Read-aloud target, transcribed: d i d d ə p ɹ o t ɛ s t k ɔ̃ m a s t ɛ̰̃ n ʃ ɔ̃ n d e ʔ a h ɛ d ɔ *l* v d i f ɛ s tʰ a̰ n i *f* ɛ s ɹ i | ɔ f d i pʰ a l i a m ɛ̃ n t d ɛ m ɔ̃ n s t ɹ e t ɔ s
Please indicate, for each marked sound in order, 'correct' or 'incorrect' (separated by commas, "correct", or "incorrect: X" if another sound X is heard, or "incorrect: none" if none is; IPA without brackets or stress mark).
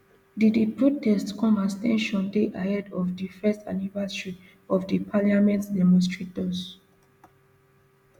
incorrect: none, incorrect: v